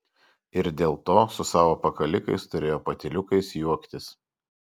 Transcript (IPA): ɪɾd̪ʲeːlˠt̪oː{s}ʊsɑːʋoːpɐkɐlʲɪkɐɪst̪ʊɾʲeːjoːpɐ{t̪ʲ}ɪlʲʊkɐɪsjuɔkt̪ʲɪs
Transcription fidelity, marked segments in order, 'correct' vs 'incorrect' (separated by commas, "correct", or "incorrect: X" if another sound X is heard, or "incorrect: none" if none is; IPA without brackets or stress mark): correct, correct